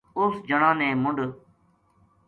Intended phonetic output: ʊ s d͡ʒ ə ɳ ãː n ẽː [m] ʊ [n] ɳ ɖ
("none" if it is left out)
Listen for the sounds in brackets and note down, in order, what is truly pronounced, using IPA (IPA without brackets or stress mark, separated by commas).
m, none